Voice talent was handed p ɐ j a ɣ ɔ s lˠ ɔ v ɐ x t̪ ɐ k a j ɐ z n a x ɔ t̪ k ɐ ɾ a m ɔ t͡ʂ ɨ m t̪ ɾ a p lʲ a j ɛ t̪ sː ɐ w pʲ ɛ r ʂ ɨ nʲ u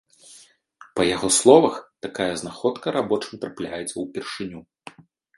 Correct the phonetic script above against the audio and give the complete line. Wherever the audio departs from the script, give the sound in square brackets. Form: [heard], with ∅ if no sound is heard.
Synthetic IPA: p ɐ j a ɣ ɔ s lˠ ɔ v ɐ x t̪ [a] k a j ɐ z n a x ɔ t̪ k ɐ ɾ a [b] ɔ t͡ʂ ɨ m t̪ ɾ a p lʲ a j ɛ t̪ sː ɐ w pʲ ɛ r ʂ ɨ nʲ u